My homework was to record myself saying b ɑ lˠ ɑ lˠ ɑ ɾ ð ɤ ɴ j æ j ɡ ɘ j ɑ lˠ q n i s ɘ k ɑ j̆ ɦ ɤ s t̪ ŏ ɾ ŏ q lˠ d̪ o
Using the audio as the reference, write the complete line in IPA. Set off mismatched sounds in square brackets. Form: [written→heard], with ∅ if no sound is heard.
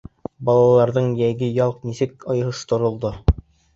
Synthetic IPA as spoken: b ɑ lˠ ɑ lˠ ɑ ɾ ð ɤ ɴ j æ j ɡ ɘ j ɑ lˠ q n i s ɘ k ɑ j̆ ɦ ɤ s t̪ ŏ ɾ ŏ [q→∅] lˠ d̪ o